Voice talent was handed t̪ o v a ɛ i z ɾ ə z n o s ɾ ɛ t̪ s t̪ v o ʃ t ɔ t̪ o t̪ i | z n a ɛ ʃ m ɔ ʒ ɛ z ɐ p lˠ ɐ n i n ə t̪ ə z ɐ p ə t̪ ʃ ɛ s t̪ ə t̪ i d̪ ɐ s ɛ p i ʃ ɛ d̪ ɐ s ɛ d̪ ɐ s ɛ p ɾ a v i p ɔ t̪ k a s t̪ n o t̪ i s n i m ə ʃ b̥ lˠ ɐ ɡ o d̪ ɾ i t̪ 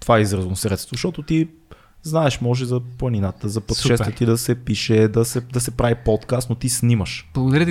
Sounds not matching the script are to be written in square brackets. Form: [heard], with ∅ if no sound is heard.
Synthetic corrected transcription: t̪ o v a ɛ i z ɾ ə z n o s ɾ ɛ t̪ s t̪ v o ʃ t ɔ t̪ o t̪ i | z n a ɛ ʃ m ɔ ʒ ɛ z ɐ p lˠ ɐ n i n [a] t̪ ə z ɐ p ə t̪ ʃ ɛ s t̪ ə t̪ i d̪ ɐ s ɛ p i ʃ ɛ d̪ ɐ s ɛ d̪ ɐ s ɛ p ɾ a v i p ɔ t̪ k a s t̪ n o t̪ i s n i m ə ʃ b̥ lˠ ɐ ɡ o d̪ ɾ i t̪